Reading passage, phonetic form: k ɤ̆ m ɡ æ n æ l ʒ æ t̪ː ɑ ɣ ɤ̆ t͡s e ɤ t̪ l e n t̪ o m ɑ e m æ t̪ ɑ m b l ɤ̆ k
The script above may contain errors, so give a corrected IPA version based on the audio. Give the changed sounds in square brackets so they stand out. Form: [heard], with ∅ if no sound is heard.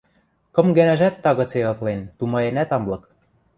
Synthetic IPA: k ɤ̆ m ɡ æ n æ [∅] ʒ æ t̪ː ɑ ɣ ɤ̆ t͡s e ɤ t̪ l e n t̪ [u] m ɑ e [n] æ t̪ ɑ m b l ɤ̆ k